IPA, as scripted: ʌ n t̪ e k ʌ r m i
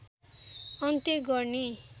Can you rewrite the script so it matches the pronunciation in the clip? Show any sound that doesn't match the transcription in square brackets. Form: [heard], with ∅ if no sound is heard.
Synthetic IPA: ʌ n t̪ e [ɡ] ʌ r [n] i